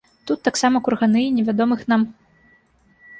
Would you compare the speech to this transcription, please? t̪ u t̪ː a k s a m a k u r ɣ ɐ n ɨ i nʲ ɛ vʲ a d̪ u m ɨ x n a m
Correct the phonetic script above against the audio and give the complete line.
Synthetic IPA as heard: t̪ u t̪ː a k s a m ɐ k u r ɣ a n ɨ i nʲ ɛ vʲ a d̪ ɔ m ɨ x n a m